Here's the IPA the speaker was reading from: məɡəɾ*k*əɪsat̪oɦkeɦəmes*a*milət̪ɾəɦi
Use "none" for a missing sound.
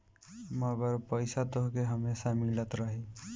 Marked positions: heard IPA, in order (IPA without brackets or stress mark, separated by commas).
p, a